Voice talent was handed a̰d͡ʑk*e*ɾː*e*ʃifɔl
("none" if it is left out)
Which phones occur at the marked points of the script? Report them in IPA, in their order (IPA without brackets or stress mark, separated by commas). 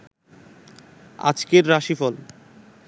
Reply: e, a